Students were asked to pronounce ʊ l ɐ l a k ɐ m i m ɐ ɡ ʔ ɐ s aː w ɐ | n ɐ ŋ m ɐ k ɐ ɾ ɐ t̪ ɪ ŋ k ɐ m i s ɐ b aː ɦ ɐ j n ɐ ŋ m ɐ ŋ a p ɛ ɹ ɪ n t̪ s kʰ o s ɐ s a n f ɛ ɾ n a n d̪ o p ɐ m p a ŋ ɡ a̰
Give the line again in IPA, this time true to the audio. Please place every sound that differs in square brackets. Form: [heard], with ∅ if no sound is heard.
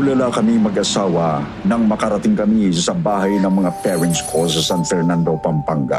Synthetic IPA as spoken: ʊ l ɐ l a k ɐ m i m ɐ ɡ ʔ ɐ s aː w ɐ | n ɐ ŋ m ɐ k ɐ ɾ ɐ t̪ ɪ ŋ k ɐ m i s ɐ b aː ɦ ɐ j n ɐ ŋ m ɐ ŋ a p ɛ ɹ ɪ n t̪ s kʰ o s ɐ s a n f ɛ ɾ n a n d̪ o p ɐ m p a ŋ ɡ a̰